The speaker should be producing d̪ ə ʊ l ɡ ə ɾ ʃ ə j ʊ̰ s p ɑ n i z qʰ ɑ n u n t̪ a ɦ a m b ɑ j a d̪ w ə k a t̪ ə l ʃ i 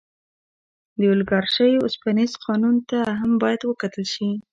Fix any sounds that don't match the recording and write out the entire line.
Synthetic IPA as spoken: d̪ ə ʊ l ɡ ɑ ɾ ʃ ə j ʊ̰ s p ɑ n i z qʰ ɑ n u n t̪ a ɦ a m b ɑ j a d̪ w ə k a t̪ ə l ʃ i